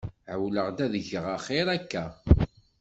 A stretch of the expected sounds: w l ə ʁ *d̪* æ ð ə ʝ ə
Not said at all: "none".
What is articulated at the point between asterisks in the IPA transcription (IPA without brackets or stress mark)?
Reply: d̪